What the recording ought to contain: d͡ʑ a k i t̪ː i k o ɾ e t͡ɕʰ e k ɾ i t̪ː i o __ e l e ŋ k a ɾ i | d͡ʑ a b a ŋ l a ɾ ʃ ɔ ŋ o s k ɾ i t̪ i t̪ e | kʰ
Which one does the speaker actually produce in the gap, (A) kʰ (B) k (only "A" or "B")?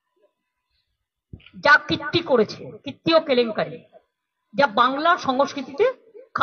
B